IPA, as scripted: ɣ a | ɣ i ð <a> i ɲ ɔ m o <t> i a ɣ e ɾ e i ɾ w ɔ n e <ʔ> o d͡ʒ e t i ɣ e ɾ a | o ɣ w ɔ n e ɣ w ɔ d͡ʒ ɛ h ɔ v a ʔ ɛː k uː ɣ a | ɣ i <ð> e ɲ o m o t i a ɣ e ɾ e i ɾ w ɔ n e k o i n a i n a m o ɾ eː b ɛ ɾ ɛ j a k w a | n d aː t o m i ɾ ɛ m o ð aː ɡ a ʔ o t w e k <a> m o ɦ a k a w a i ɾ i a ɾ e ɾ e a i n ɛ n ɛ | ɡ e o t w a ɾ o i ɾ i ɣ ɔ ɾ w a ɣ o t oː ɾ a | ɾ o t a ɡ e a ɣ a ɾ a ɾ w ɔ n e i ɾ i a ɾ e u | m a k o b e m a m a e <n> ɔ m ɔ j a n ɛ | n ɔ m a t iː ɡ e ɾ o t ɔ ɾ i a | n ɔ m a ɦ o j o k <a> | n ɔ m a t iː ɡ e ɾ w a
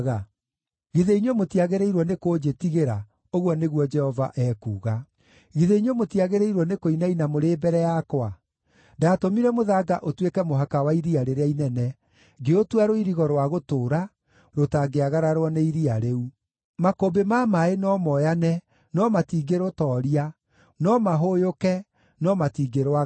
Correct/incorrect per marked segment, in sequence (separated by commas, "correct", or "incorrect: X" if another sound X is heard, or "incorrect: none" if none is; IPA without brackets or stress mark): incorrect: e, correct, incorrect: k, correct, incorrect: ɛ, correct, incorrect: ɛ